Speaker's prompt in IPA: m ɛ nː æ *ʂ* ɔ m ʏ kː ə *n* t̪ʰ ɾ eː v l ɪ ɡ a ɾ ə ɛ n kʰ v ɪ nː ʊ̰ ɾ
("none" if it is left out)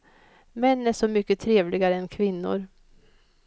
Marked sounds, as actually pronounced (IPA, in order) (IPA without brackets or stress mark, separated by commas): ʂ, none